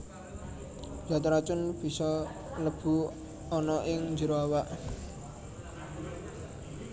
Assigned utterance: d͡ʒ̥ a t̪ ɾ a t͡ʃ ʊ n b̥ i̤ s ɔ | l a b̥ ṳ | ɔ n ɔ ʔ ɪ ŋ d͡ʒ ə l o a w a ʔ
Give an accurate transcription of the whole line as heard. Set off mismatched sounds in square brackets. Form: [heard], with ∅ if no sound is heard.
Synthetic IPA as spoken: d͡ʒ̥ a t̪ ɾ a t͡ʃ ʊ n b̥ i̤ s ɔ | l [ə] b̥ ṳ | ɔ n ɔ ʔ ɪ ŋ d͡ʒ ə [ɾ] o a w a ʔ